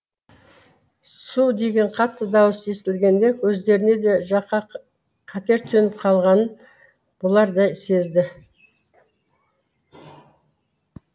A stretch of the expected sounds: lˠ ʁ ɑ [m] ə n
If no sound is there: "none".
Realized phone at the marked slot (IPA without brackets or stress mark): n